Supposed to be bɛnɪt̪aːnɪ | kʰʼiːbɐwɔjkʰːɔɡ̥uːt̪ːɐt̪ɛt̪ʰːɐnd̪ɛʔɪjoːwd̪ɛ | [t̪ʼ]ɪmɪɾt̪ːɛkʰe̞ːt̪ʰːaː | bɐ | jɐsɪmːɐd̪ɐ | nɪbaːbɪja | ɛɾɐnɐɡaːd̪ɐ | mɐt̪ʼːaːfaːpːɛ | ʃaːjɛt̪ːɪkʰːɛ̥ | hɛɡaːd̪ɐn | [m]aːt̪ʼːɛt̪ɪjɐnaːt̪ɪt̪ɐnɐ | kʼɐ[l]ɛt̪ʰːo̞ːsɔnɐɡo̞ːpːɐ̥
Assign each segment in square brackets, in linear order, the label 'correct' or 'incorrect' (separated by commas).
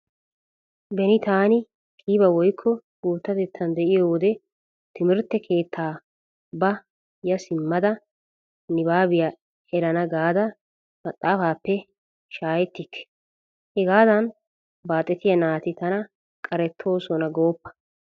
incorrect, incorrect, incorrect